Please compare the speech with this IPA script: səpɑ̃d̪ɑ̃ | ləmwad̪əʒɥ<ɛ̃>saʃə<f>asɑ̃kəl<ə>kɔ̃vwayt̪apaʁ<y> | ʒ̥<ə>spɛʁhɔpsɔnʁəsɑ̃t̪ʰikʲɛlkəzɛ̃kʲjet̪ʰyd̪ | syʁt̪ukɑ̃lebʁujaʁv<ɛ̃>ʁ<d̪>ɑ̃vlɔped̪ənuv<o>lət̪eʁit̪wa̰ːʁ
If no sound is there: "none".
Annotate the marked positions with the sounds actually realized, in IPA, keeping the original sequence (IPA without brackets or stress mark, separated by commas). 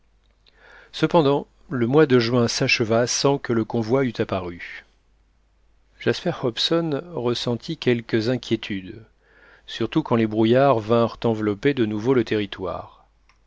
ɛ̃, v, ə, y, a, ɛ̃, t̪, o